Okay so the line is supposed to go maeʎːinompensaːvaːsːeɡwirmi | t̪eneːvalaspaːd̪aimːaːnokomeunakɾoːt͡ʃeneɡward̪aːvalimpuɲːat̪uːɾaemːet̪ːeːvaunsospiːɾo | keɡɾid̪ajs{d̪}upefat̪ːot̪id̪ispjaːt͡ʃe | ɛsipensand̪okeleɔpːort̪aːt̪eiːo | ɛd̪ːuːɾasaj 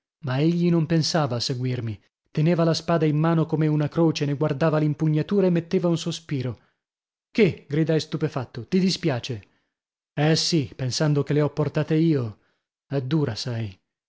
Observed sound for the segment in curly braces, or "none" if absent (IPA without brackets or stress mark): t̪